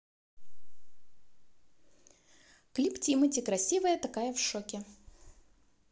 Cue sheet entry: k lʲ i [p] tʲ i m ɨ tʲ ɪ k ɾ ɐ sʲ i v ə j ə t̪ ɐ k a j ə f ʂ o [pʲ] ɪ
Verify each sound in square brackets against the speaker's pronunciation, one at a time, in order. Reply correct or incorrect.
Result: correct, incorrect: kʲ

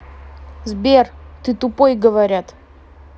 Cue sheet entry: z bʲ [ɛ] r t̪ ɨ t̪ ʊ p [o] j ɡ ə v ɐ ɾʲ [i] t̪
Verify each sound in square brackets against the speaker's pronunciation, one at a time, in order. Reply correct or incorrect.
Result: incorrect: e, correct, incorrect: a

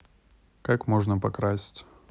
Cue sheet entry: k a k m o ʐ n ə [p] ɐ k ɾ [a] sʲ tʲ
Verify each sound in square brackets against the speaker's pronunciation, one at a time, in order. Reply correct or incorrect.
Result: correct, correct

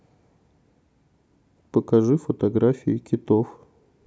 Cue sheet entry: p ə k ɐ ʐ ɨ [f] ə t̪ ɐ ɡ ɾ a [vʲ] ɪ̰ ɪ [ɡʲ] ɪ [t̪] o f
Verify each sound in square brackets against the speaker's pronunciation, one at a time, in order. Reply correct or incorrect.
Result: correct, incorrect: fʲ, incorrect: kʲ, correct

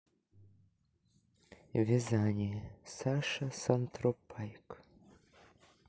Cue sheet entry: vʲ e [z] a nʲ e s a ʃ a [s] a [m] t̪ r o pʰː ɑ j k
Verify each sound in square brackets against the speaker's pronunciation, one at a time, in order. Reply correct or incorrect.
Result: correct, correct, incorrect: n

